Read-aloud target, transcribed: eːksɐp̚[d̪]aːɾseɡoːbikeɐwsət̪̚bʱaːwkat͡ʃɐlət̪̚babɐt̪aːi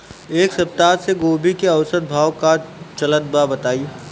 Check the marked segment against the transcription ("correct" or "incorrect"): incorrect